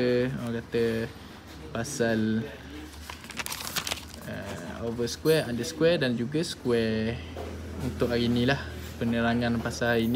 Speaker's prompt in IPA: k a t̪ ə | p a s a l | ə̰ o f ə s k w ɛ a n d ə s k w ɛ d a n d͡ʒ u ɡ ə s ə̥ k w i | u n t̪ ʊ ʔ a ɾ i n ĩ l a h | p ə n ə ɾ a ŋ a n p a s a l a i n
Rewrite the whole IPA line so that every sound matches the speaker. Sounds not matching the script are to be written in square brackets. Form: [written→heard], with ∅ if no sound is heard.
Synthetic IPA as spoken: k a t̪ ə | p a s a l | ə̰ o [f→v] ə s k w ɛ a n d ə s k w ɛ d a n d͡ʒ u ɡ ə s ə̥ k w [i→ɛ] | u n t̪ ʊ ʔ a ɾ i n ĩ l a h | p ə n ə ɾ a ŋ a n p a s a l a i n

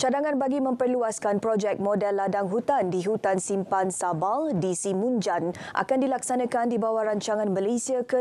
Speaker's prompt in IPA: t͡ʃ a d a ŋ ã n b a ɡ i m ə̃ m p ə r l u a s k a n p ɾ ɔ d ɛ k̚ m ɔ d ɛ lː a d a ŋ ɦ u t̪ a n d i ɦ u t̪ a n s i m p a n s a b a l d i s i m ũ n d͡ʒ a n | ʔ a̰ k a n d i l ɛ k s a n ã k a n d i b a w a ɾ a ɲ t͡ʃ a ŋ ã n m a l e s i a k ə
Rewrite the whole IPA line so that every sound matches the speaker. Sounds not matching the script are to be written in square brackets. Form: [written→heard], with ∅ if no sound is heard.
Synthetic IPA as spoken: t͡ʃ a d a ŋ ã n b a ɡ i m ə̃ m p ə r l u a s k a n p ɾ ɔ [d→d͡ʒ] ɛ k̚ m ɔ d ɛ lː a d a ŋ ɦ u t̪ a n d i ɦ u t̪ a n s i m p a n s a b a l d i s i m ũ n d͡ʒ a n | ʔ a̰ k a n d i l [ɛ→a] k s a n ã k a n d i b a w a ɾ a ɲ t͡ʃ a ŋ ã n m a l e s i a k ə

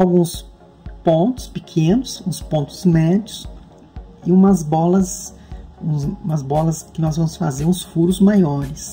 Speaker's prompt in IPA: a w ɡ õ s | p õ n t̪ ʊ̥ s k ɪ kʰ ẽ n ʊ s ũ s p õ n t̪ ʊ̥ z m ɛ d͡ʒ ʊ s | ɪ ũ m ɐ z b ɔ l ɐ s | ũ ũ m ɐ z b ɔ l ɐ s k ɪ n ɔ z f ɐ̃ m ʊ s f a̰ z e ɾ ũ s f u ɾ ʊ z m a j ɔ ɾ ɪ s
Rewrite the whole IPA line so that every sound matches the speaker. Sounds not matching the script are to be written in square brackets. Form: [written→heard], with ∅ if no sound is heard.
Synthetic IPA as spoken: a w ɡ [õ→ũ] s | p õ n t̪ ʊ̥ s [k→p] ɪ kʰ ẽ n ʊ s ũ s p õ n t̪ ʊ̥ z m ɛ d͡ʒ ʊ s | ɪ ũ m ɐ z b ɔ l ɐ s | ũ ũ m ɐ z b ɔ l ɐ s k ɪ n ɔ z [f→v] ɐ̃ m ʊ s f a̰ z e ɾ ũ s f u ɾ ʊ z m a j ɔ ɾ ɪ s

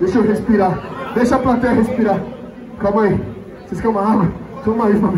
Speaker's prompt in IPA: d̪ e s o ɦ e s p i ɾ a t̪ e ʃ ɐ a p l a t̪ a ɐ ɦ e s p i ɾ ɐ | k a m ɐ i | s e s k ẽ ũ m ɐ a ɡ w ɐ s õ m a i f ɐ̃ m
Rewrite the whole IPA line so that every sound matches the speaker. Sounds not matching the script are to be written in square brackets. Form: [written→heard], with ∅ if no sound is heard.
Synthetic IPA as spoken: d̪ e [s→ʃ] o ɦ e s p i ɾ a [t̪→d̪] e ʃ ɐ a p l a t̪ [a→ɛ] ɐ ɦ e s p i ɾ [ɐ→a] | k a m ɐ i | s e s k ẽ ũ m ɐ a ɡ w ɐ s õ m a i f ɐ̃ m

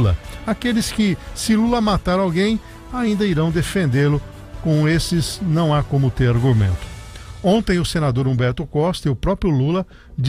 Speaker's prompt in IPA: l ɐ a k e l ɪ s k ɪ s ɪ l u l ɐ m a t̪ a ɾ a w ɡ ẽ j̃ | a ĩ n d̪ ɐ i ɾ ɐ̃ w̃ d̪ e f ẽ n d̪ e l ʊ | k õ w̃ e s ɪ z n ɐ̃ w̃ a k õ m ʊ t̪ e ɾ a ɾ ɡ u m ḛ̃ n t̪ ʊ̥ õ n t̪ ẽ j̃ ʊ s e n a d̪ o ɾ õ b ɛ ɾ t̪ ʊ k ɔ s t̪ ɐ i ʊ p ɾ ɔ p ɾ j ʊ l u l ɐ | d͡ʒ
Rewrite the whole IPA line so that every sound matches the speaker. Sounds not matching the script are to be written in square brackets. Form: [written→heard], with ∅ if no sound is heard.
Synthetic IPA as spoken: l ɐ a k e l ɪ s k ɪ s ɪ l u l ɐ m a t̪ a ɾ a w ɡ ẽ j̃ | a ĩ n d̪ ɐ i ɾ ɐ̃ w̃ d̪ e f ẽ n d̪ e l ʊ | k õ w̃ e s ɪ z n ɐ̃ w̃ a k õ m ʊ t̪ e ɾ a ɾ ɡ u m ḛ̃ n t̪ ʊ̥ õ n t̪ ẽ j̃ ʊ s e n a d̪ o ɾ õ b ɛ ɾ t̪ ʊ k ɔ s t̪ ɐ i ʊ p ɾ ɔ p ɾ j ʊ l u l ɐ | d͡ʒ

